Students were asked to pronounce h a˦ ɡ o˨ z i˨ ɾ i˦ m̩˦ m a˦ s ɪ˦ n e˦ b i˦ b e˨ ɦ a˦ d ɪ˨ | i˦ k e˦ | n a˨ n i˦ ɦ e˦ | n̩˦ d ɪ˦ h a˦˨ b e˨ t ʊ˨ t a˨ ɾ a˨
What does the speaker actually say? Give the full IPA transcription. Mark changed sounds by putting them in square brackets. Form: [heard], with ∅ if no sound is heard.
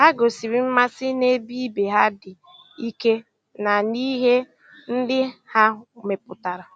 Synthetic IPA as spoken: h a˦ ɡ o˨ [s] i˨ ɾ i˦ m̩˦ m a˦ s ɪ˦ n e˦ b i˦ b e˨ ɦ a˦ d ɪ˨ | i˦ k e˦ | n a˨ n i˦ ɦ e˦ | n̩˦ d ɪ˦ h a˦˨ [m] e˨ [p] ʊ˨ t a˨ ɾ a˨